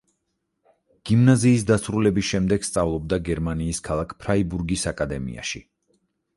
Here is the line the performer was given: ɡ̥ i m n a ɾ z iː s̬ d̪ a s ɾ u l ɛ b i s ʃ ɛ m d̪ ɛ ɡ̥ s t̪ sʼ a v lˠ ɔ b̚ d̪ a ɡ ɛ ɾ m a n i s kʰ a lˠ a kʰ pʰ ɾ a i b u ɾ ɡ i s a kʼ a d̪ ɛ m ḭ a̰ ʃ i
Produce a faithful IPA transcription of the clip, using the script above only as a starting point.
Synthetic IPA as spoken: ɡ̥ i m n a z iː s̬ d̪ a s ɾ u l ɛ b i s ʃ ɛ m d̪ ɛ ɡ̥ s t̪ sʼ a v lˠ ɔ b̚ d̪ a ɡ ɛ ɾ m a n iː s kʰ a lˠ a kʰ pʰ ɾ a i b u ɾ ɡ i s a kʼ a d̪ ɛ m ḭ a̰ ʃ i